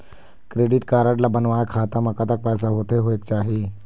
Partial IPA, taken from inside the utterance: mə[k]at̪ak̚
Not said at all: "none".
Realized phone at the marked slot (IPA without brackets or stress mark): k